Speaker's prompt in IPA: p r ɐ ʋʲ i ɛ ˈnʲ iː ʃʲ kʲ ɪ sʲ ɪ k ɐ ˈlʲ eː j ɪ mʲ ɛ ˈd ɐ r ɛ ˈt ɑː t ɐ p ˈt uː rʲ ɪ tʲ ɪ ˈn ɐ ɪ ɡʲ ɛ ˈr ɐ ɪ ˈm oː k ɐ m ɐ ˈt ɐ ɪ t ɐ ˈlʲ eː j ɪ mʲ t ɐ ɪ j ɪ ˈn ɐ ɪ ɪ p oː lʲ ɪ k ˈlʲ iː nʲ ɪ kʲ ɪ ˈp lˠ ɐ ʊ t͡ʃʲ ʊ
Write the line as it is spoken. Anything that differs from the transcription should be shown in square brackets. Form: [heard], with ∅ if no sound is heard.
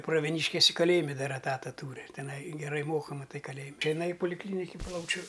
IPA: p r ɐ ʋʲ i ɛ ˈnʲ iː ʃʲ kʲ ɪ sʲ ɪ k ɐ ˈlʲ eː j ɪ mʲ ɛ ˈd ɐ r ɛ ˈt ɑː t ɐ [∅] ˈt uː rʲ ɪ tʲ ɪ ˈn ɐ ɪ ɡʲ ɛ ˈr ɐ ɪ ˈm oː k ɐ m ɐ ˈt ɐ ɪ [k] ɐ ˈlʲ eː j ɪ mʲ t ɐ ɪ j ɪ ˈn ɐ ɪ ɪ p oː lʲ ɪ k ˈlʲ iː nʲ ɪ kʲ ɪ ˈp lˠ ɐ ʊ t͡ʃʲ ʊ

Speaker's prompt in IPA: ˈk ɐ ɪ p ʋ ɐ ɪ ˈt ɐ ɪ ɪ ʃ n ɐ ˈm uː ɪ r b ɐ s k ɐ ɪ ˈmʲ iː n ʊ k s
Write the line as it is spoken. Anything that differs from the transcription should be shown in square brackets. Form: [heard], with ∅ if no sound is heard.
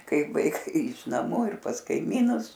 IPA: ˈk ɐ ɪ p ʋ ɐ ɪ [ˈk] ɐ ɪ ɪ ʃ n ɐ ˈm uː ɪ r [p] ɐ s k ɐ ɪ ˈmʲ iː n ʊ [∅] s

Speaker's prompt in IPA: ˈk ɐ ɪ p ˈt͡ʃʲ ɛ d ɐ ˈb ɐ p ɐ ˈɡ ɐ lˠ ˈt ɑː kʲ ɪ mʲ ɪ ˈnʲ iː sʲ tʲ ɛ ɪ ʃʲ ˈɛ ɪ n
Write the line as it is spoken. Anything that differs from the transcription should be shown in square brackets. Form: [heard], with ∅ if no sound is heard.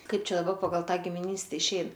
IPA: ˈk ɐ ɪ p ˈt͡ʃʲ ɛ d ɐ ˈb ɐ p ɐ ˈɡ ɐ lˠ ˈt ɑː [ɡʲ] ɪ mʲ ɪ ˈnʲ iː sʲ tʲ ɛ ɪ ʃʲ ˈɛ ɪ n

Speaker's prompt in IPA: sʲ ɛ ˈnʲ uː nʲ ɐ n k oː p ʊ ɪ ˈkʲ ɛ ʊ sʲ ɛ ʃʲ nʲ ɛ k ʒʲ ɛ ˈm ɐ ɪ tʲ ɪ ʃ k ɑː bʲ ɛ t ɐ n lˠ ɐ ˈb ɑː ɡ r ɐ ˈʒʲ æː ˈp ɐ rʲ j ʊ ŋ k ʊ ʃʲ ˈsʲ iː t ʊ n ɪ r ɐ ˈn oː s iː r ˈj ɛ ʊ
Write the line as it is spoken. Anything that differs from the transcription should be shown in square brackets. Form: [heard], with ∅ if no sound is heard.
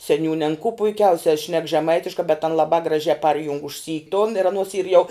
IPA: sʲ ɛ ˈnʲ uː nʲ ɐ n k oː p ʊ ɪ ˈkʲ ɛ ʊ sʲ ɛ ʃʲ nʲ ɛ k ʒʲ ɛ ˈm ɐ ɪ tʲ ɪ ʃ k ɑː bʲ ɛ t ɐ n lˠ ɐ ˈb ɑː ɡ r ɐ ˈʒʲ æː ˈp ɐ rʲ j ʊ ŋ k ʊ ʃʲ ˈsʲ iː t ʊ n ɪ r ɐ ˈn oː s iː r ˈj ɛ ʊ

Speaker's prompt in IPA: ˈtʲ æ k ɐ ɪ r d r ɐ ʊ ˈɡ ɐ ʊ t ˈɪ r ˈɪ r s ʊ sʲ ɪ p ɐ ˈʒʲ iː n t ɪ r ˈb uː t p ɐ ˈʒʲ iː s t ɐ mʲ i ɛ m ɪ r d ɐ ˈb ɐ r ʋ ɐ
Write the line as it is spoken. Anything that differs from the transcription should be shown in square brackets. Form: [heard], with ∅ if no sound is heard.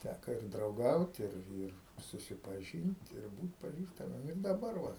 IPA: ˈtʲ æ k ɐ ɪ r d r ɐ ʊ ˈɡ ɐ ʊ t ˈɪ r ˈɪ r s ʊ sʲ ɪ p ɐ ˈʒʲ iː n t ɪ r ˈb uː t p ɐ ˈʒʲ iː s t ɐ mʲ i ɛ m ɪ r d ɐ ˈb ɐ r ʋ ɐ

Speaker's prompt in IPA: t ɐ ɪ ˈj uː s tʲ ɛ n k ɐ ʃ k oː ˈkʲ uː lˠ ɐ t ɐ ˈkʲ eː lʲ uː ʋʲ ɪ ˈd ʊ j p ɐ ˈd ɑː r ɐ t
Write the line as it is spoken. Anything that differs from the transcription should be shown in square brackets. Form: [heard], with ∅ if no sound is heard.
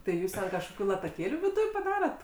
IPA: t ɐ ɪ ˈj uː s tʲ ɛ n k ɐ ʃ k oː ˈkʲ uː lˠ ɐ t ɐ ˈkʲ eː lʲ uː ʋʲ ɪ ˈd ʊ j p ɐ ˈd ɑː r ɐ t

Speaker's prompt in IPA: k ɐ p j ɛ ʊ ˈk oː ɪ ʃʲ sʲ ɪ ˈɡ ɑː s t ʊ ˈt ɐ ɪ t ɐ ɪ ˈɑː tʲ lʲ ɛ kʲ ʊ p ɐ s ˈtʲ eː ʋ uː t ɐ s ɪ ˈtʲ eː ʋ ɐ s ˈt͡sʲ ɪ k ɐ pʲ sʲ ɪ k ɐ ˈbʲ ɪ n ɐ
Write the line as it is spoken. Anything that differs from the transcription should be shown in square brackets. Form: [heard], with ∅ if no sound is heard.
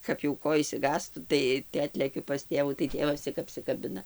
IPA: k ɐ p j ɛ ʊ ˈk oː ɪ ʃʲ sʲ ɪ ˈɡ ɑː s t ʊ ˈt ɐ ɪ t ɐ ɪ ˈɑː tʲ lʲ ɛ kʲ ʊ p ɐ s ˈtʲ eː ʋ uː t ɐ [∅] ɪ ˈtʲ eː ʋ ɐ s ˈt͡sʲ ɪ k ɐ pʲ sʲ ɪ k ɐ ˈbʲ ɪ n ɐ

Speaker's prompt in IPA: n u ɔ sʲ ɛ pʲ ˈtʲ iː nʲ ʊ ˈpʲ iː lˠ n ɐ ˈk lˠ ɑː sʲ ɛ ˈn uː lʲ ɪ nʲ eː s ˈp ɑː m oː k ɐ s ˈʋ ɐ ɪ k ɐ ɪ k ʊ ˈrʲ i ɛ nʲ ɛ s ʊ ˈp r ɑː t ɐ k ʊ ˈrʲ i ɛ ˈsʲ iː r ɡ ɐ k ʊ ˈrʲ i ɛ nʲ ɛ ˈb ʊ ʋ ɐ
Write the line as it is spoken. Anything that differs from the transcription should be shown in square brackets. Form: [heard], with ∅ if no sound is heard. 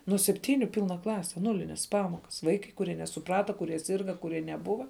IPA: n u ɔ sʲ ɛ pʲ ˈtʲ iː nʲ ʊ ˈpʲ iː lˠ n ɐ ˈk lˠ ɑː sʲ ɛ ˈn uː lʲ ɪ nʲ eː s ˈp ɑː m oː k ɐ s ˈʋ ɐ ɪ k ɐ ɪ k ʊ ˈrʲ i ɛ nʲ ɛ s ʊ ˈp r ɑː t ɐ k ʊ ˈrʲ i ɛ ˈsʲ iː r ɡ ɐ k ʊ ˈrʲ i ɛ nʲ ɛ ˈb ʊ ʋ ɐ

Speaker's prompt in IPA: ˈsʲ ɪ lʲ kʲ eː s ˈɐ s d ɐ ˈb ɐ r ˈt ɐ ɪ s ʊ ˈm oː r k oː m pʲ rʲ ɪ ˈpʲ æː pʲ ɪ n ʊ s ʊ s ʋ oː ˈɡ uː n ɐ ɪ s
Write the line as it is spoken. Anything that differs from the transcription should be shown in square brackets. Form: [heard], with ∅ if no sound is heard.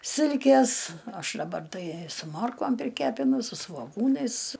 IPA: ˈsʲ ɪ lʲ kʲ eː s ˈɐ [ʃ] d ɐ ˈb ɐ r ˈt ɐ ɪ s ʊ ˈm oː r k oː m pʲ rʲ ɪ [ˈkʲ] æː pʲ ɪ n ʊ s ʊ s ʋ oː ˈɡ uː n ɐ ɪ s

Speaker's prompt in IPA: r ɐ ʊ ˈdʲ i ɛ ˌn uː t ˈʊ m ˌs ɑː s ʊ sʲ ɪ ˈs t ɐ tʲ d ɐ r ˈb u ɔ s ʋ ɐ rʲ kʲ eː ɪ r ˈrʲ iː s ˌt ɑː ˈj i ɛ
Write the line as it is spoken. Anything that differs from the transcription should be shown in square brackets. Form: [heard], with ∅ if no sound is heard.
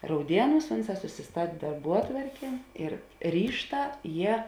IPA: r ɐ ʊ ˈdʲ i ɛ ˌn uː [s] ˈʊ [n] ˌs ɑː s ʊ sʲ ɪ ˈs t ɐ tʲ d ɐ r ˈb u ɔ [t] ʋ ɐ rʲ kʲ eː ɪ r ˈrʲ iː [ʃ] ˌt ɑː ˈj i ɛ

